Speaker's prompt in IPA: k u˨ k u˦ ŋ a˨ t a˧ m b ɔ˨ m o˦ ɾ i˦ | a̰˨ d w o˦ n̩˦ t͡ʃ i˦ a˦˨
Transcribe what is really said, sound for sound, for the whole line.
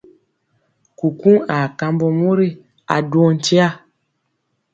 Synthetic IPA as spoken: k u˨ k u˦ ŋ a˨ k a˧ m b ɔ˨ m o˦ ɾ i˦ | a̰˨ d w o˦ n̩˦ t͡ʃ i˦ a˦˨